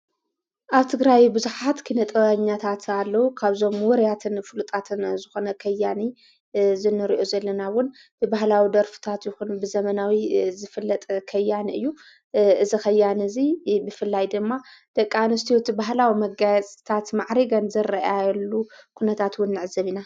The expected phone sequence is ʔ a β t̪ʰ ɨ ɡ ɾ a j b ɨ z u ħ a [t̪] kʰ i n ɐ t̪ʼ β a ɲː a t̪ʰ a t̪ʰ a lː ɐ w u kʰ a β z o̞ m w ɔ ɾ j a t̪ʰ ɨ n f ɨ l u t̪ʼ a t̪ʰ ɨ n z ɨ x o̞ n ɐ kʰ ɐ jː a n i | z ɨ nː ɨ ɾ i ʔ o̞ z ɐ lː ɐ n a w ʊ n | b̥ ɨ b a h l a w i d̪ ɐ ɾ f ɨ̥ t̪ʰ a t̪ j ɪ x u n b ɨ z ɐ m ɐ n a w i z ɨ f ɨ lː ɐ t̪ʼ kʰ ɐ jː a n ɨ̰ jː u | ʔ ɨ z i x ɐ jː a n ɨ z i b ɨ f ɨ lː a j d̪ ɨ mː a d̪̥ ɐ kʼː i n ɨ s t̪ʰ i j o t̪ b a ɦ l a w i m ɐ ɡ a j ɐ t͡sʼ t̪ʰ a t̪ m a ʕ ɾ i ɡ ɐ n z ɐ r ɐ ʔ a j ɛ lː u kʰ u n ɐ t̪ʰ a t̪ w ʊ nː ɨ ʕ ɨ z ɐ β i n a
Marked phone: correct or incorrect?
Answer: correct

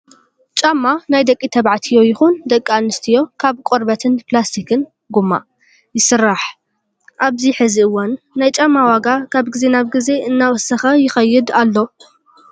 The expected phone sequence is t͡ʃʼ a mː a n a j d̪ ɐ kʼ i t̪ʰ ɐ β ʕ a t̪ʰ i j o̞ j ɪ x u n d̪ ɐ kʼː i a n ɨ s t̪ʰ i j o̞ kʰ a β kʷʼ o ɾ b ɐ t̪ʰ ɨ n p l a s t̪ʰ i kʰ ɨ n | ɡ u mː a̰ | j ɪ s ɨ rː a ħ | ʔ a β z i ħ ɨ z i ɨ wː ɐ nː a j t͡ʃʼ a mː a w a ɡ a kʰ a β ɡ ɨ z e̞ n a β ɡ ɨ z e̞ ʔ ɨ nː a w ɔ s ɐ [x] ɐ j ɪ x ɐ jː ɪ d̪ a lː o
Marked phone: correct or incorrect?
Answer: correct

